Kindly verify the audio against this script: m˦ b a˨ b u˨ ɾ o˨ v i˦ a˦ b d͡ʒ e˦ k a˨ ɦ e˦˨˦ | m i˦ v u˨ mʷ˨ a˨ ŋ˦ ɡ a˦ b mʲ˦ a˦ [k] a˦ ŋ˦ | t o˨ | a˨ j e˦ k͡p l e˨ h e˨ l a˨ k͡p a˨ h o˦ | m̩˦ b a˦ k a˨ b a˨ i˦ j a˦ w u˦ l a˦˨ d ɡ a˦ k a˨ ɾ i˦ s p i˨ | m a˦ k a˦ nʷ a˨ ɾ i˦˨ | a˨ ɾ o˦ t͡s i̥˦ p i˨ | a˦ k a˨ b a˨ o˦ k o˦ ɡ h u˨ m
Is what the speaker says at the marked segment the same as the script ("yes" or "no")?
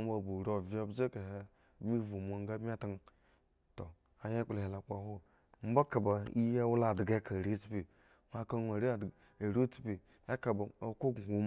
no